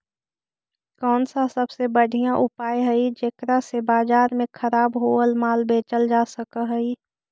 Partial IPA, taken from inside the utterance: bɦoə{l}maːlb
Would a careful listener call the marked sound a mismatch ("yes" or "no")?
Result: no